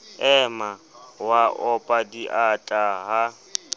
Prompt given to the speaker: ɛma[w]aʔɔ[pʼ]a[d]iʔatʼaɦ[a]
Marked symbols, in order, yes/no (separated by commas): yes, yes, yes, yes